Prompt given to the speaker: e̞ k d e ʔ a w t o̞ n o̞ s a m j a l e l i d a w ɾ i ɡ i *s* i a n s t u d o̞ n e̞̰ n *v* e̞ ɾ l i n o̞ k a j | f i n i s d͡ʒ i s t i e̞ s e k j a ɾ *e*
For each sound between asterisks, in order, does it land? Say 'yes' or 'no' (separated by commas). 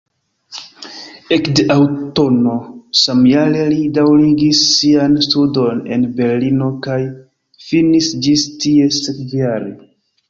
no, no, yes